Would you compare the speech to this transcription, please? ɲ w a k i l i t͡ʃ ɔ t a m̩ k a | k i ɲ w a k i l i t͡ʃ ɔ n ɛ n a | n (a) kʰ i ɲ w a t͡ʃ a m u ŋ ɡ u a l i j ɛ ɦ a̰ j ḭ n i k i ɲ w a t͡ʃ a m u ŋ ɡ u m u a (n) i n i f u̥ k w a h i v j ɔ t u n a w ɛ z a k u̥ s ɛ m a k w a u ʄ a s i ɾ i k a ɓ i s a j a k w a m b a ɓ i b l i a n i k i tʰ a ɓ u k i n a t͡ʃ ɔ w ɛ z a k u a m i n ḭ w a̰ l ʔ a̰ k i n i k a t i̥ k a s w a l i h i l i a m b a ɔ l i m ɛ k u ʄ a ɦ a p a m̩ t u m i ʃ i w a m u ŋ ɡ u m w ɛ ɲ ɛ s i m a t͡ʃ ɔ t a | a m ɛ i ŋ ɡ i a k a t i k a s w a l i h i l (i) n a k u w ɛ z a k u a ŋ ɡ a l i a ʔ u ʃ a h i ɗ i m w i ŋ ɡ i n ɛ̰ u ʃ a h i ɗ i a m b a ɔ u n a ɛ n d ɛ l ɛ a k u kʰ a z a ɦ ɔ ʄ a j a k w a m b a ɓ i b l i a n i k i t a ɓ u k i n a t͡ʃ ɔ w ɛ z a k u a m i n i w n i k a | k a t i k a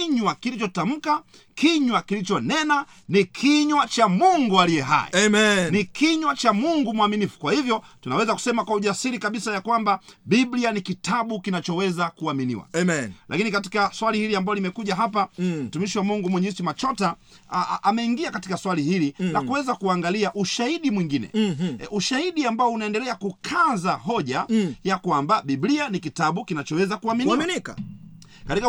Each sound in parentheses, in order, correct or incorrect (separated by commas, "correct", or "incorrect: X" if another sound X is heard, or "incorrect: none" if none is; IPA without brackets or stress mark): incorrect: i, incorrect: m, correct